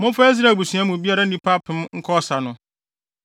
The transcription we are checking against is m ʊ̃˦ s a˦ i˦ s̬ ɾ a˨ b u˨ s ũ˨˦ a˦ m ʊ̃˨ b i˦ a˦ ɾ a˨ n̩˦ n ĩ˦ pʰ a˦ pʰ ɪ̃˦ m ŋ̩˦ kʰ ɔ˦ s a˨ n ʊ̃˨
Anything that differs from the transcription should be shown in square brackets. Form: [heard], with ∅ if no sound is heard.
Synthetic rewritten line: m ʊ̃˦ [f] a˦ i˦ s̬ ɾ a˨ b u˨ s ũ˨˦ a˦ m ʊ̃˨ b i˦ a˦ ɾ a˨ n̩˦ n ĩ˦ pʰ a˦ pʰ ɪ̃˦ m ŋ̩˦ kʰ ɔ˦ s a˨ n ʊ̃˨